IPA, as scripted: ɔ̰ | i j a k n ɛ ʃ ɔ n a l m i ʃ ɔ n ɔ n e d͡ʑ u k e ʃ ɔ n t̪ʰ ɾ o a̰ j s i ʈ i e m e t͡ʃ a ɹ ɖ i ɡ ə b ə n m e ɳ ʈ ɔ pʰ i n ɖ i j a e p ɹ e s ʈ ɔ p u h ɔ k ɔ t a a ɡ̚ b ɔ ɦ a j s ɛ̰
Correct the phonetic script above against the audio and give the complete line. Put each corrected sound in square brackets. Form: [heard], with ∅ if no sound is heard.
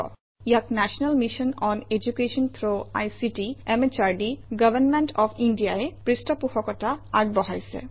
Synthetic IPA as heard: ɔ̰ | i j a k n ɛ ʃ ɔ n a l m i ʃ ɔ n ɔ n e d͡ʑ u k e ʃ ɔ n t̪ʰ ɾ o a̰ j s i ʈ i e m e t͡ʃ a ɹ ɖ i ɡ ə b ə n m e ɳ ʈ ɔ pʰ i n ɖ i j a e p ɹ [i] s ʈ ɔ p u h ɔ k ɔ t a a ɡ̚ b ɔ ɦ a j s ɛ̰